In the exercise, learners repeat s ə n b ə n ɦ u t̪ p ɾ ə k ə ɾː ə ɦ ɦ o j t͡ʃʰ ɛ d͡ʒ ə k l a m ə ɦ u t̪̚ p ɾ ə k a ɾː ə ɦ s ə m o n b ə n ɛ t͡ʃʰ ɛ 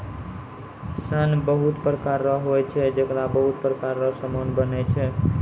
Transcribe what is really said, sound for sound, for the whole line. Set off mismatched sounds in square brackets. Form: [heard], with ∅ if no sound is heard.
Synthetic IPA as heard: s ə n b ə [∅] ɦ u t̪ p ɾ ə k [a] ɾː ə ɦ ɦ o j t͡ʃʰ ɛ d͡ʒ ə k [ɾ] a [b] ə ɦ u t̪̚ p ɾ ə k a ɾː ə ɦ s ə m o n b ə n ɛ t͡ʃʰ ɛ